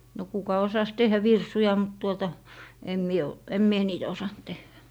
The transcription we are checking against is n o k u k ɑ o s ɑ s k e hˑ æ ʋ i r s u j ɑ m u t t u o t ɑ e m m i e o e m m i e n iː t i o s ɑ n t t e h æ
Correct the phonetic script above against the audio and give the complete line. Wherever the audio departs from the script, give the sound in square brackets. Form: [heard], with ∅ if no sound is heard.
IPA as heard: n o k u k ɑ o s ɑ s [t] e hˑ æ ʋ i r s u j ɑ m u t t u o t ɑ e m m i e o e m m i e n iː t [æ] o s ɑ n t t e [hː] æ